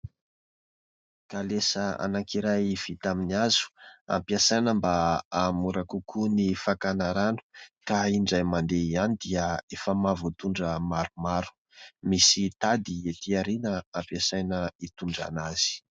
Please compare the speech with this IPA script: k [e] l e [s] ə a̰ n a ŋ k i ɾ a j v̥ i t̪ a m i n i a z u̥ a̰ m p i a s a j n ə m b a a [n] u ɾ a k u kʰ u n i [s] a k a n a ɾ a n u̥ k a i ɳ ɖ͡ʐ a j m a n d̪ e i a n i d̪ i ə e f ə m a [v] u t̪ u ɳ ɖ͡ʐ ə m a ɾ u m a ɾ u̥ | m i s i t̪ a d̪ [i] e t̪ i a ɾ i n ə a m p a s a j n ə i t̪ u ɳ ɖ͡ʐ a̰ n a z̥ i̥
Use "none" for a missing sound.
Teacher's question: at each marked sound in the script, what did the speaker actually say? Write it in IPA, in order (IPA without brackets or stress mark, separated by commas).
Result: a, s, m, f, v, i